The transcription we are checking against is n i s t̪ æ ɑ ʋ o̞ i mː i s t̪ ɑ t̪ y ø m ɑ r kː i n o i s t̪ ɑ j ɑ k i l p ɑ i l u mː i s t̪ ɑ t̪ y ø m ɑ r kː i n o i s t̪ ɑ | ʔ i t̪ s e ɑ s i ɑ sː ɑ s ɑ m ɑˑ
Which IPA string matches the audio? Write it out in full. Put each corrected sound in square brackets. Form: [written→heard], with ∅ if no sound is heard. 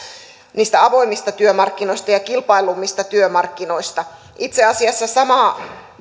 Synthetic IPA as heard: n [i→iː] s t̪ æ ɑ ʋ o̞ i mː i s t̪ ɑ t̪ y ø m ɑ r kː i n o i s t̪ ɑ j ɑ k i l p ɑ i l u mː i s t̪ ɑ t̪ y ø m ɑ r kː i n o i s t̪ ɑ | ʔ i t̪ s e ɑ s i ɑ sː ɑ s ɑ m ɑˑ